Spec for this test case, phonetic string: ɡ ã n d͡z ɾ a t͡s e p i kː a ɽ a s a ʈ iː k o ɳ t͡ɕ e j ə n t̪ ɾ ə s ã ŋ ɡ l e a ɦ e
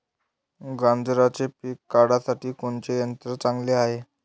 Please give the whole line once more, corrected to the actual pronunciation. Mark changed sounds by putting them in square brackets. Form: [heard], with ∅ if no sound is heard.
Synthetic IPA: ɡ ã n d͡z ɾ a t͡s e p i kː a ɽ a s a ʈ iː k o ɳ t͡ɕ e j ə n t̪ ɾ ə [t͡s] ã ŋ ɡ l e a ɦ e